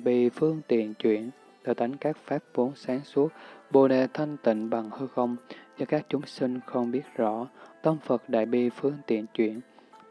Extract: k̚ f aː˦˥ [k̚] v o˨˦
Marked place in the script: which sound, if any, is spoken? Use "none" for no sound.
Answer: p̚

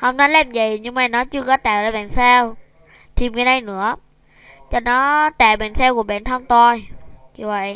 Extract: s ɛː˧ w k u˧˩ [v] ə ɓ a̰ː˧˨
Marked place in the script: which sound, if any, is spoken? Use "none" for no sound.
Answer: none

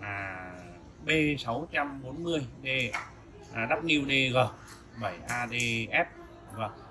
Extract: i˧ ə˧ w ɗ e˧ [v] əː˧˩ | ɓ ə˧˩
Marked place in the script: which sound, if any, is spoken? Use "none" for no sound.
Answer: ɣ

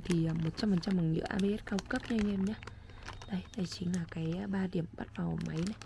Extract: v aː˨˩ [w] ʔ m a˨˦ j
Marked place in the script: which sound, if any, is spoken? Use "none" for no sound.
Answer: w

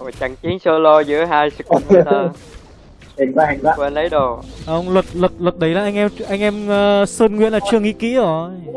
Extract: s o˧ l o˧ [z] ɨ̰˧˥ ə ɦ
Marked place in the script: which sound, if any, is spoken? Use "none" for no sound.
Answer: z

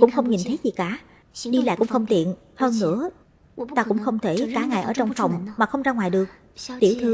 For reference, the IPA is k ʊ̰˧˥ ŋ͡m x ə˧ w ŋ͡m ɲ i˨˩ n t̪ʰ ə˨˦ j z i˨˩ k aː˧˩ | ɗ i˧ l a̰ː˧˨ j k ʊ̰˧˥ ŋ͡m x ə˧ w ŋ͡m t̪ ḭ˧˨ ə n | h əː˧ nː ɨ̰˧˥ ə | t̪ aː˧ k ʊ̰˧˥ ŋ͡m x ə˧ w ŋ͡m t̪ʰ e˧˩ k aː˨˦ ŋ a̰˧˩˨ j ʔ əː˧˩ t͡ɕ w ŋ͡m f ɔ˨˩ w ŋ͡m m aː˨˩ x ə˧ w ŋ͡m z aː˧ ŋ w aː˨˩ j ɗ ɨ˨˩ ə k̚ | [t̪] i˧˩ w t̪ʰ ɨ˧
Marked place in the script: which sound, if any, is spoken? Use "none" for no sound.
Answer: t̪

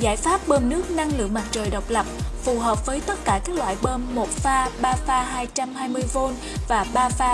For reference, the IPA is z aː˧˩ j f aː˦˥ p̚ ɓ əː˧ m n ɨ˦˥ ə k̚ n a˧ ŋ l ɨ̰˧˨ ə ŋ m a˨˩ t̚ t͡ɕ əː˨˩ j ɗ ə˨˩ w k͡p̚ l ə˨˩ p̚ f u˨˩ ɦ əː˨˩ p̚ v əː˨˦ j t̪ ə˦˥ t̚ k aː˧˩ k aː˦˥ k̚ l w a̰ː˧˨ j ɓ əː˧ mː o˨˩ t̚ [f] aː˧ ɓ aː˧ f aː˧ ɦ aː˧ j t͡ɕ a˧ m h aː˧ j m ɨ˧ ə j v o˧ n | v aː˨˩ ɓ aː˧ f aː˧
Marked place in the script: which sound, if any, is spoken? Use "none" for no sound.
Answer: f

